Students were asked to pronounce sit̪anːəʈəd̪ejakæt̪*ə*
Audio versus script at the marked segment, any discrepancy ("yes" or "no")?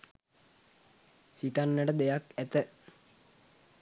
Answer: no